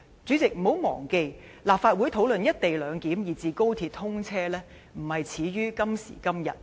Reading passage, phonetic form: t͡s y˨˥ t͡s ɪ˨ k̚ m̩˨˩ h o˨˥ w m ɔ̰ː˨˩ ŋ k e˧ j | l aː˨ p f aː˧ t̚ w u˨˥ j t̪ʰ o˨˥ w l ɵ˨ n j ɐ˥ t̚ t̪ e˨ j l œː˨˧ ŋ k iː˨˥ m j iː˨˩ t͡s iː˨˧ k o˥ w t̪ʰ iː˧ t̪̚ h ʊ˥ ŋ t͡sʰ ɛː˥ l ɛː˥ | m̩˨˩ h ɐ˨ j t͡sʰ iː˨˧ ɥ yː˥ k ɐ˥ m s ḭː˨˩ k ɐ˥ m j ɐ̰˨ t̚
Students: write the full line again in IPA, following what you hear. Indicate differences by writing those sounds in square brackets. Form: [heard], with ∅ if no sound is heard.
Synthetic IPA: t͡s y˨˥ t͡s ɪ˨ k̚ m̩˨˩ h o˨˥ w m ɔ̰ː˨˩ ŋ k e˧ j | l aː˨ p f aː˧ t̚ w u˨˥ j t̪ʰ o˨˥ w l ɵ˨ n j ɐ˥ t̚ t̪ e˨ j l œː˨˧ ŋ k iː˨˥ m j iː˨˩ t͡s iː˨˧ k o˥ w t̪ʰ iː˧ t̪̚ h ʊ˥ ŋ t͡sʰ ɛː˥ l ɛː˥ | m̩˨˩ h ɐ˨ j t͡sʰ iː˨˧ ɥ yː˥ k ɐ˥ m s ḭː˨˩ k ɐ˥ m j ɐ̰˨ t̚

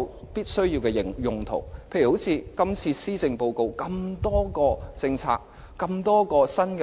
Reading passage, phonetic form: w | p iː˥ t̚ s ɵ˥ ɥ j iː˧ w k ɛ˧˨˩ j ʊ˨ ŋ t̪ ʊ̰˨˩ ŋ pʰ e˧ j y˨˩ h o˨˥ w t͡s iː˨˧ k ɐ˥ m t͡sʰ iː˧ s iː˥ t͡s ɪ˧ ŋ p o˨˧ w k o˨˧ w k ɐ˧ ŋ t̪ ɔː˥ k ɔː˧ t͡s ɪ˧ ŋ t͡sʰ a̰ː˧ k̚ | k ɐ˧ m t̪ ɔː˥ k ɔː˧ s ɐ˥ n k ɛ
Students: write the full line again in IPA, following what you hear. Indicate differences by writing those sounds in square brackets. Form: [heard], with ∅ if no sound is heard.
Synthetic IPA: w | p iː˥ t̚ s ɵ˥ ɥ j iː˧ w k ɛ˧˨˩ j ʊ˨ ŋ [t̪ʰ] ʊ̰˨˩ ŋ pʰ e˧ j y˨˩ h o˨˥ w [t͡sʰ] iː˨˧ k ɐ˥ m t͡sʰ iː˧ s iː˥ t͡s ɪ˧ ŋ p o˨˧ w k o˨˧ w k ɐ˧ [m] t̪ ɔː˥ k ɔː˧ t͡s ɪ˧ ŋ t͡sʰ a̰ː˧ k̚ | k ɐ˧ m t̪ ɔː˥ k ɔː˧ s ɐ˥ n k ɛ

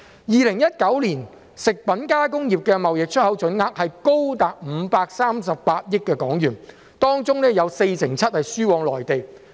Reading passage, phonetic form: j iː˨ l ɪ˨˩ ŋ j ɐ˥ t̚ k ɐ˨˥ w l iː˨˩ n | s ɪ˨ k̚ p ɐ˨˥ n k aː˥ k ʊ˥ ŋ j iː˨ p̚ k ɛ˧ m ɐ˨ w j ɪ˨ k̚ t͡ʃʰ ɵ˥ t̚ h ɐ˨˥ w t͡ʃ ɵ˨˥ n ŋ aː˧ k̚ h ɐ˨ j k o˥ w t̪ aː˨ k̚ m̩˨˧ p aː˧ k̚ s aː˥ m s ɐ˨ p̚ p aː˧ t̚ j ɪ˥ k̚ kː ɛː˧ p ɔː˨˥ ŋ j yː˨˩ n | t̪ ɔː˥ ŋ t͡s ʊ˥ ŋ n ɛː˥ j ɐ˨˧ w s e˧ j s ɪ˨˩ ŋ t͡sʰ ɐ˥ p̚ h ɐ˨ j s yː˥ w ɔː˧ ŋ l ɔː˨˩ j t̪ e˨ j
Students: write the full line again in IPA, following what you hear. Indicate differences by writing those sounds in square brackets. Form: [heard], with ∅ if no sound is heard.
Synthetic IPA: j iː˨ l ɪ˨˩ ŋ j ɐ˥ t̚ k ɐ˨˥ w l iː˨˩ n | s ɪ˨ k̚ p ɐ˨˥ n k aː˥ k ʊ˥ ŋ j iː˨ p̚ k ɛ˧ m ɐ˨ w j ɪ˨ k̚ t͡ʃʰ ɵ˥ t̚ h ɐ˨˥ w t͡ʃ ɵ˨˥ n ŋ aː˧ k̚ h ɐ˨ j k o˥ w t̪ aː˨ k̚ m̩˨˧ p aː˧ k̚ s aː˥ m s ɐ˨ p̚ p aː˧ t̚ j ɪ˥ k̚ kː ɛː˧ [k] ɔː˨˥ ŋ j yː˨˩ n | t̪ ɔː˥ ŋ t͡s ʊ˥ ŋ n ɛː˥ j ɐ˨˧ w s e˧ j s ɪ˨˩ ŋ t͡sʰ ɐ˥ [t̚] h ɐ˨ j s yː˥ w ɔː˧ ŋ l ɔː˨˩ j t̪ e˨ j

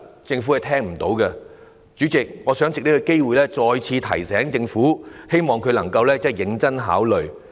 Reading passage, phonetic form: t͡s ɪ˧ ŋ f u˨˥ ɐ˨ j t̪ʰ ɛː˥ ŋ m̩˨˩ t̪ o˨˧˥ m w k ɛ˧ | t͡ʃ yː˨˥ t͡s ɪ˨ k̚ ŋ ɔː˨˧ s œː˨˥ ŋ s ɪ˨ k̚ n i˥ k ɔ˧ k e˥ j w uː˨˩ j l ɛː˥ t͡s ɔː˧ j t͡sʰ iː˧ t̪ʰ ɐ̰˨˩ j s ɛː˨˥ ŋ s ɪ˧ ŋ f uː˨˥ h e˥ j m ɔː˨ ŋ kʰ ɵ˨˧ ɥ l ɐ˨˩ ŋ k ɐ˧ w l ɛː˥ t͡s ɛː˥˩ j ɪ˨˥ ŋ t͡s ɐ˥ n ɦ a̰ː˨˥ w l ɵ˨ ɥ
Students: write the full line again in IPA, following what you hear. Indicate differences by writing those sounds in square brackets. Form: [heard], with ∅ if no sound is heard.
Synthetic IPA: t͡s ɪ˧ ŋ f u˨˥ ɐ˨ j t̪ʰ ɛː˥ ŋ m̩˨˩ t̪ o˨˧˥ [∅] w k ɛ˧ | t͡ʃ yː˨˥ t͡s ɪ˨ k̚ ŋ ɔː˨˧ s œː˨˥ ŋ [t͡s] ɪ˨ k̚ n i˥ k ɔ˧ k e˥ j w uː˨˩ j l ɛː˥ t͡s ɔː˧ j t͡sʰ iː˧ t̪ʰ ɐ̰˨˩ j s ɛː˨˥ ŋ [t͡s] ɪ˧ ŋ f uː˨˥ h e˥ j m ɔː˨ ŋ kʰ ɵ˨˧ ɥ l ɐ˨˩ ŋ k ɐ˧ w l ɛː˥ t͡s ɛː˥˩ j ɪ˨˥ ŋ t͡s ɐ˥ n ɦ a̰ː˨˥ w l ɵ˨ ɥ

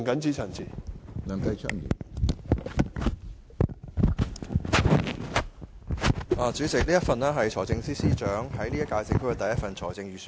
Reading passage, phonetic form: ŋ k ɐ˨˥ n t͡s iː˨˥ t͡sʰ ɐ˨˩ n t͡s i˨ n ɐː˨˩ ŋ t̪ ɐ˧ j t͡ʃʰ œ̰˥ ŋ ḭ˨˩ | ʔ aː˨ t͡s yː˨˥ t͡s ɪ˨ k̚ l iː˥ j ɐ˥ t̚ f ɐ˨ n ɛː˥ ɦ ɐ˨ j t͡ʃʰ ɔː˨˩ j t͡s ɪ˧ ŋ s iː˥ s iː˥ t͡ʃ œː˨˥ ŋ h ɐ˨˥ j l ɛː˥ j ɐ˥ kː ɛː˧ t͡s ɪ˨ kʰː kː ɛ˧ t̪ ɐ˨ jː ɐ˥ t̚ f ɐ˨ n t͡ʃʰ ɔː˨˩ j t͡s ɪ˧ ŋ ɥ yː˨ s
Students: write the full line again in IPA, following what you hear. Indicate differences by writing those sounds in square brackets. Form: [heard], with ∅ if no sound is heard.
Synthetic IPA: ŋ k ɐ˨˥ n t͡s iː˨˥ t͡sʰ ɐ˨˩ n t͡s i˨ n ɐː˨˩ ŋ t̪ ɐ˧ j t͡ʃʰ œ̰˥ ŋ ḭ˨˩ | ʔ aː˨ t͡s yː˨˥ t͡s ɪ˨ k̚ l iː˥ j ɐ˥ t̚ f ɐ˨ n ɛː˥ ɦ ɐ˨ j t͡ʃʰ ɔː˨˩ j t͡s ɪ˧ ŋ s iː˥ s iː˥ t͡ʃ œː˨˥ ŋ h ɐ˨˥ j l [iː˥] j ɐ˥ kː [aː˧] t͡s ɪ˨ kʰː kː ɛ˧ t̪ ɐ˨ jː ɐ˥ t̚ f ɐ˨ n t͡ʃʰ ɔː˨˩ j t͡s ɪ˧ ŋ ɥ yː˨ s

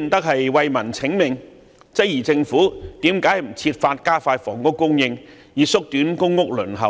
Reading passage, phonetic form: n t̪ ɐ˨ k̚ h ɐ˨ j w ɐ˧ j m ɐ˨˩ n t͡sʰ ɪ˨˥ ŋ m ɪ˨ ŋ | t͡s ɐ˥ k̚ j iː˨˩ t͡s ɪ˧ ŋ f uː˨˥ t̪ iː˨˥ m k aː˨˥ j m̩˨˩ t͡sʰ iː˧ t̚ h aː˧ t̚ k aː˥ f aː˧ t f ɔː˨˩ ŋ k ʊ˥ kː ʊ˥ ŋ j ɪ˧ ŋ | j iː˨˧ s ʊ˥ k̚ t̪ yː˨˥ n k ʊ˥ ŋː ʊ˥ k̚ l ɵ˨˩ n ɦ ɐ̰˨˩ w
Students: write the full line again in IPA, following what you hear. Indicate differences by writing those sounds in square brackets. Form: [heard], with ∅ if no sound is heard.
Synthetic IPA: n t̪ [ɐ˥] k̚ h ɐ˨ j w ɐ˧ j m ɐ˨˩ n t͡sʰ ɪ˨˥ ŋ m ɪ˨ ŋ | t͡s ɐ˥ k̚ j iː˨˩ t͡s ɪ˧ ŋ f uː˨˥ t̪ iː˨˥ m k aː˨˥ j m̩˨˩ t͡sʰ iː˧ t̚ [f] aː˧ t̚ k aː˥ f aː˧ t f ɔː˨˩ ŋ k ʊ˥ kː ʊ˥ ŋ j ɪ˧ ŋ | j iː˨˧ s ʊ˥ k̚ t̪ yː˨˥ n k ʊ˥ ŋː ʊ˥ k̚ l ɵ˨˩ n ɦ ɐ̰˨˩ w

